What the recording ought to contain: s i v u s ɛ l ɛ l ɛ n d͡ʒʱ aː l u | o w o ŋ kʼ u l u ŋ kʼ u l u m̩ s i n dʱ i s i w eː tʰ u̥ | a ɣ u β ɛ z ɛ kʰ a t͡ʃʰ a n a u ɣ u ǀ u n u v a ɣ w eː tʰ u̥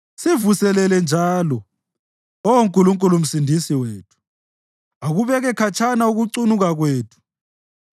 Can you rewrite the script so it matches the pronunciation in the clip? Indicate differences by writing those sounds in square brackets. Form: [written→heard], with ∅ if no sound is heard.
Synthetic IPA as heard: s i v u s ɛ l ɛ l ɛ n d͡ʒʱ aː l [u→ɔ] | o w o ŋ kʼ u l u ŋ kʼ u l u m̩ s i n dʱ i s i w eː tʰ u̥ | a ɣ u β ɛ [z→ɣ] ɛ kʰ a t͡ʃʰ a n a u ɣ u ǀ u n u [v→ɣ] a ɣ w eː tʰ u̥